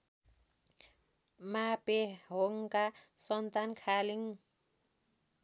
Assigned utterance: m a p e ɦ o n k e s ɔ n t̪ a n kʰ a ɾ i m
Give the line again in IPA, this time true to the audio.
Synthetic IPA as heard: m a p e ɦ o ŋ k a s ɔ n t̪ a n kʰ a l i ŋ